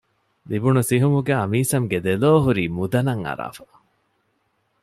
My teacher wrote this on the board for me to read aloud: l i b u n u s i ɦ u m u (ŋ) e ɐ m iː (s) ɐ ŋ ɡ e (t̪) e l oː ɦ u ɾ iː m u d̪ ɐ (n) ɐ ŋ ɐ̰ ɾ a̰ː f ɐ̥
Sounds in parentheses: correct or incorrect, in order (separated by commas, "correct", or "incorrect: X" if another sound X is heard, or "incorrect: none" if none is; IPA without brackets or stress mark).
incorrect: ɡ, correct, incorrect: d̪, correct